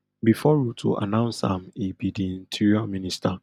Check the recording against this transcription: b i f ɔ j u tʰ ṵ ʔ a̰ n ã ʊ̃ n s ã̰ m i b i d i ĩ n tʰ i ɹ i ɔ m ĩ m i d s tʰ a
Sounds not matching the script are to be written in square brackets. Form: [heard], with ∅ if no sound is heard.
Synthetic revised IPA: b i f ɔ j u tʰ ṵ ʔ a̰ n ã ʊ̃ n s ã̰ m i b i d i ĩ n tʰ i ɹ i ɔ m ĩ [n] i [∅] s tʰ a